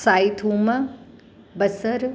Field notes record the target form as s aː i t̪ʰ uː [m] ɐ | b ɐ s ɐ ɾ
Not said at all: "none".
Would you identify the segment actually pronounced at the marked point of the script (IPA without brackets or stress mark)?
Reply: m